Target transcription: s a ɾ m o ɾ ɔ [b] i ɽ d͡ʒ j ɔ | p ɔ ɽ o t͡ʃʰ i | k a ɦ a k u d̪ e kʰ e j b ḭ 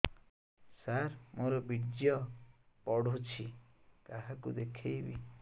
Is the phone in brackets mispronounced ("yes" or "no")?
no